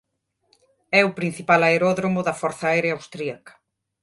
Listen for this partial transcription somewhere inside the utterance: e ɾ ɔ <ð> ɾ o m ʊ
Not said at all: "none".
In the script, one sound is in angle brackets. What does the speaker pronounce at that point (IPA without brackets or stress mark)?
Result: ð